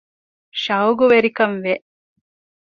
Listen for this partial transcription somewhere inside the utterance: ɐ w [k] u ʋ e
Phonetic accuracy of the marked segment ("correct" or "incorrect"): incorrect